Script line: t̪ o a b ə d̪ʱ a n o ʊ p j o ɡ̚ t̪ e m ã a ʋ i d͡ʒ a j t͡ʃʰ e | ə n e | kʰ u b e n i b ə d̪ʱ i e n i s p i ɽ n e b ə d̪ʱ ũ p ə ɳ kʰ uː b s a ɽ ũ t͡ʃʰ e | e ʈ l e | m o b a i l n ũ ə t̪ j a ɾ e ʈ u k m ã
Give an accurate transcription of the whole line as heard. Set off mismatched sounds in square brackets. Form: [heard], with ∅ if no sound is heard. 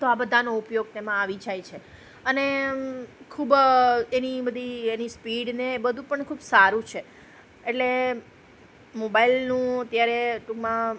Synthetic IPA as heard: t̪ o a b ə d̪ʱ a n o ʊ p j o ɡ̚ t̪ e m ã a ʋ i d͡ʒ a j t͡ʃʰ e | ə n e | kʰ u b e n i b ə d̪ʱ i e n i s p i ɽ n e b ə d̪ʱ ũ p ə ɳ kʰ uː b s a [ɾ] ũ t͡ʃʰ e | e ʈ l e | m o b a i l n ũ ə t̪ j a ɾ e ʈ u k m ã